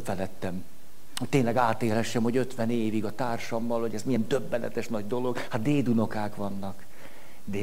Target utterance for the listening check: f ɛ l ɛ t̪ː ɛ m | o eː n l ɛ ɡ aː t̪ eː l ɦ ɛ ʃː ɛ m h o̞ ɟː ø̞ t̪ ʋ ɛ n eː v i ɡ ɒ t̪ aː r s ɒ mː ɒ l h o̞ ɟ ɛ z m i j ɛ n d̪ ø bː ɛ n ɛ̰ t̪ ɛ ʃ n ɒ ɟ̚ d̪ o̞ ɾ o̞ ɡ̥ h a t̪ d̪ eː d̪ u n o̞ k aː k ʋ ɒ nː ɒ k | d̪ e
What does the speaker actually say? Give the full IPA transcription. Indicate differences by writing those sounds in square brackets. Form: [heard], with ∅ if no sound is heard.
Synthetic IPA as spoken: f ɛ l ɛ t̪ː ɛ m | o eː n l ɛ ɡ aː t̪ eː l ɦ ɛ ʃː ɛ m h o̞ [ɟ] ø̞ t̪ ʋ ɛ n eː v i ɡ ɒ t̪ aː r [ʃ] ɒ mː ɒ l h o̞ ɟ ɛ z m i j ɛ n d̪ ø bː ɛ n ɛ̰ t̪ ɛ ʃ n ɒ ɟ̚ d̪ o̞ [l] o̞ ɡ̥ h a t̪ d̪ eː d̪ u n o̞ k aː k ʋ ɒ nː ɒ k | d̪ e